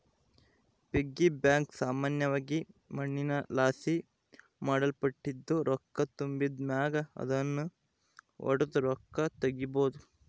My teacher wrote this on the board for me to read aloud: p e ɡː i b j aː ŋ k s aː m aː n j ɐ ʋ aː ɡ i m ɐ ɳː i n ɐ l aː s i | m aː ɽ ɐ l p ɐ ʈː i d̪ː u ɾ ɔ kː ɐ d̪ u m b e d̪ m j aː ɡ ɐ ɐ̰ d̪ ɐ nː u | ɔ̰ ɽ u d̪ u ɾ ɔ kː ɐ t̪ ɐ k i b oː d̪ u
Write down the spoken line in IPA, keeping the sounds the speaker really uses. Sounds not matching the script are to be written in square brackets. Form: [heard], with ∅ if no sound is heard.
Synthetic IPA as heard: p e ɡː i b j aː ŋ k s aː m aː n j ɐ ʋ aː ɡ i m ɐ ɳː i n ɐ l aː s i | m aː ɽ ɐ l p ɐ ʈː i d̪ː u ɾ ɔ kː ɐ [t̪] u m b [i] d̪ m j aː ɡ ɐ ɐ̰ d̪ ɐ nː u | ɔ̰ ɽ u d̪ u ɾ ɔ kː ɐ t̪ ɐ [ɡ] i b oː d̪ u